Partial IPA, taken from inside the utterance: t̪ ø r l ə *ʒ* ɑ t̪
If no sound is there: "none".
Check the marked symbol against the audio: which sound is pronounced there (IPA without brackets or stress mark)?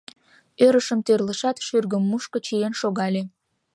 ʃ